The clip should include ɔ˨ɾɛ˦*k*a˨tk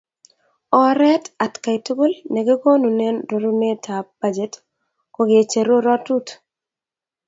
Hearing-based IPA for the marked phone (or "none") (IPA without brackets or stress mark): t